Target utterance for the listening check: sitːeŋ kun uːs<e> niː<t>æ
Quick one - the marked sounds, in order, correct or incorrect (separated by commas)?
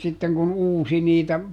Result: incorrect, correct